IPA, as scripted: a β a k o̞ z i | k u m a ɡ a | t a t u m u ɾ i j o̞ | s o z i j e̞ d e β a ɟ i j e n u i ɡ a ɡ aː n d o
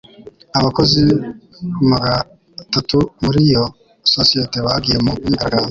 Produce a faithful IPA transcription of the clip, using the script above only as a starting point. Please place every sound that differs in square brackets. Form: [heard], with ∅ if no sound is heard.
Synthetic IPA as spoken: a β a k o̞ z i | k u m a ɡ a | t a t u m u ɾ i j o̞ | s o [s] i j e̞ [t] e β a [ɡ] i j e [m] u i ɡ a ɡ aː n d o